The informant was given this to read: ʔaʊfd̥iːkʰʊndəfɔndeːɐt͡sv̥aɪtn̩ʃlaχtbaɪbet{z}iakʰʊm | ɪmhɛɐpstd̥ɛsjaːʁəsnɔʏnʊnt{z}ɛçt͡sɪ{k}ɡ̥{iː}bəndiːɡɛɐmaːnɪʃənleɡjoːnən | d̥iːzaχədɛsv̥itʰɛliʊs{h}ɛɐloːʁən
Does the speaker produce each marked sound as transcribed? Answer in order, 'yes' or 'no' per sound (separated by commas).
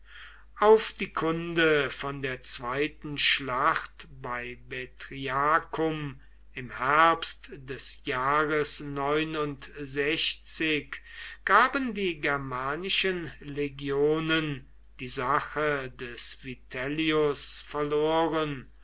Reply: no, yes, yes, no, no